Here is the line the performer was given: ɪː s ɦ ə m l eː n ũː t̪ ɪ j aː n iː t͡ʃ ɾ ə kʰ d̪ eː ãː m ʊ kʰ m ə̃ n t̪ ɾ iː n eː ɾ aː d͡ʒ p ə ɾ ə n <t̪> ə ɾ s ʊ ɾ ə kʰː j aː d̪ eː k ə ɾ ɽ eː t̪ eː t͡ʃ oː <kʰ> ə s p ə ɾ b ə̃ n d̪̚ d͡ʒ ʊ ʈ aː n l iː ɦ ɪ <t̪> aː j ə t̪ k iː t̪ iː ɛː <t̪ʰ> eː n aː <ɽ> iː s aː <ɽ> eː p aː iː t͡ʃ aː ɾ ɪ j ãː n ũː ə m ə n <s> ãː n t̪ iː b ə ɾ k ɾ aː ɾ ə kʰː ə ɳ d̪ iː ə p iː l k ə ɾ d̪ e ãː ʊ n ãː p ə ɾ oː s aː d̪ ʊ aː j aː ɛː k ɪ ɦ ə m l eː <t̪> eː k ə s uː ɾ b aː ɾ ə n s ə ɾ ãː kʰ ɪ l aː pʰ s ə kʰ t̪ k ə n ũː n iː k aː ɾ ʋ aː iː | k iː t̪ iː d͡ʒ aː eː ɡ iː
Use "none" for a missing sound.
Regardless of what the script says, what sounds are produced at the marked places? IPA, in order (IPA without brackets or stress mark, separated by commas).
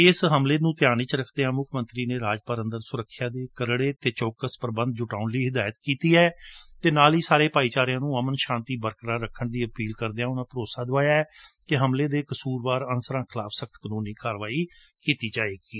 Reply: d̪, k, d̪, t̪, l, ɾ, ʃ, d̪